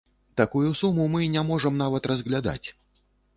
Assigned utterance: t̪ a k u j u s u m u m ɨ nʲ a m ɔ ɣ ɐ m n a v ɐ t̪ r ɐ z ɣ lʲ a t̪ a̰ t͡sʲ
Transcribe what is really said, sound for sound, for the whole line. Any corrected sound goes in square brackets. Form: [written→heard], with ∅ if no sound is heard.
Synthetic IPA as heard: t̪ a k u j u s u m u m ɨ nʲ a m ɔ [ɣ→ʐ] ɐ m n a v ɐ t̪ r ɐ z ɣ lʲ a [t̪→d̪] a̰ t͡sʲ